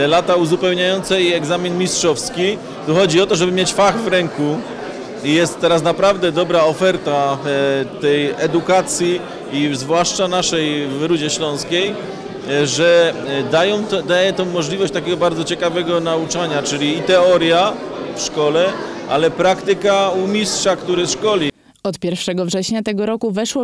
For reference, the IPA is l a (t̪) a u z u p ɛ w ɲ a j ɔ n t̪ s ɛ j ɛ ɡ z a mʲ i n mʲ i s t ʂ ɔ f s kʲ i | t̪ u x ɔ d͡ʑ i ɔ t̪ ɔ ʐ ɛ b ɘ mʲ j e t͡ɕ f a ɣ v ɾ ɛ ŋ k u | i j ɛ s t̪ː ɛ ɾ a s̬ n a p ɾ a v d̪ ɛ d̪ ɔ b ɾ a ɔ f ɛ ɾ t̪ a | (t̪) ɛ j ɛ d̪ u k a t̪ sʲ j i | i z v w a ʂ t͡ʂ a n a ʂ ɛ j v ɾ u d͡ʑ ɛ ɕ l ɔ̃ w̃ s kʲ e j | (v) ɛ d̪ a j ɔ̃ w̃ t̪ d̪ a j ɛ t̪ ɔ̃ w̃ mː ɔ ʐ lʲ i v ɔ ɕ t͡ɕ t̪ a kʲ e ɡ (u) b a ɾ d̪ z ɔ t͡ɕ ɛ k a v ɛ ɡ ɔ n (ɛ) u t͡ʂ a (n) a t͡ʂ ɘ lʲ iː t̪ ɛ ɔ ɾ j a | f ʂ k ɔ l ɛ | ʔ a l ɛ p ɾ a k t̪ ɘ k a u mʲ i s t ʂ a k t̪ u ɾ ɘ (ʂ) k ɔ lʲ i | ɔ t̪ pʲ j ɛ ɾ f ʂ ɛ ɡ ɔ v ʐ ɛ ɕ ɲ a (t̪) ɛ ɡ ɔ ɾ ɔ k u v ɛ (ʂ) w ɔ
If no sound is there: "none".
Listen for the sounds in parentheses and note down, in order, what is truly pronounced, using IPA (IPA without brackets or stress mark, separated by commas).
t̪, t̪, ʐ, ɔ, a, ɲ, ʂ, t̪, ʂ